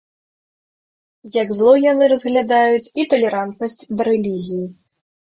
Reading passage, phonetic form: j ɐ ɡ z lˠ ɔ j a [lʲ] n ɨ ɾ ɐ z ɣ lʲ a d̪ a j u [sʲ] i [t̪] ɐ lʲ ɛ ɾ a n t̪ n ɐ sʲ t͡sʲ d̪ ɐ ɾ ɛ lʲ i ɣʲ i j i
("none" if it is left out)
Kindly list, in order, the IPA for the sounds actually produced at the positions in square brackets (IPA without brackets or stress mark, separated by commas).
none, t͡sʲ, t̪